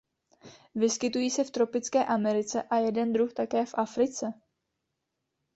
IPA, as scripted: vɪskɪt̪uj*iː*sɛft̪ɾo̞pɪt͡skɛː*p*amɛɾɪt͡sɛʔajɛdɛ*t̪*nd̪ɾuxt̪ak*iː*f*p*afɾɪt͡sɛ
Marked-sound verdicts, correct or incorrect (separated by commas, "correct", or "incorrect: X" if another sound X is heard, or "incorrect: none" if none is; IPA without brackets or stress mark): correct, incorrect: ʔ, incorrect: none, incorrect: ɛː, incorrect: ʔ